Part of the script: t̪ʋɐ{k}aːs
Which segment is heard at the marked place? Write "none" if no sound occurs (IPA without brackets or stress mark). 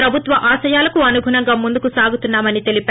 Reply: ʔ